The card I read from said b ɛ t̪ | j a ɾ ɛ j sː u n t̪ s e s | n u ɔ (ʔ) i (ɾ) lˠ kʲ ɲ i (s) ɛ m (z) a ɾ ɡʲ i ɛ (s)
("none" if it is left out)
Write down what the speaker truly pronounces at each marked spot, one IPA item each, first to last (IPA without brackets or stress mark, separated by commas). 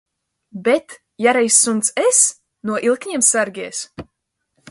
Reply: ʔ, none, none, s, s